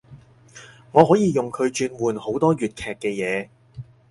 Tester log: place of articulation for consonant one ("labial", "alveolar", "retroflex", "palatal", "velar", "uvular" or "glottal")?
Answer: velar